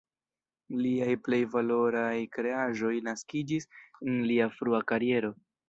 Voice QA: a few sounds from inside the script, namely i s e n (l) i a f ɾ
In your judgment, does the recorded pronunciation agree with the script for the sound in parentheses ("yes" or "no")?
yes